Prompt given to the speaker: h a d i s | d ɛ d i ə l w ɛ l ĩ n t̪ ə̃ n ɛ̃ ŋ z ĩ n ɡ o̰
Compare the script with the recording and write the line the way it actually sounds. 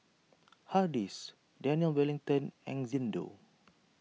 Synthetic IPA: h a d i s | d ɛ n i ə l w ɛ l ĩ ŋ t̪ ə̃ n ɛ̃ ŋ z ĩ n d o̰